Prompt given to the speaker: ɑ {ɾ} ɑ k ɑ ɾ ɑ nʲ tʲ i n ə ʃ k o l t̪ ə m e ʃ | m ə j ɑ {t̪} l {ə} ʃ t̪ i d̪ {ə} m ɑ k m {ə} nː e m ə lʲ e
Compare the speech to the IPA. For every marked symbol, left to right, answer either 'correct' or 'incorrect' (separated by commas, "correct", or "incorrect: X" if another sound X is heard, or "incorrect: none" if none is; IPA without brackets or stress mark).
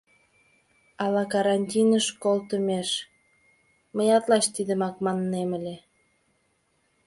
incorrect: l, correct, incorrect: ɑ, correct, incorrect: ɑ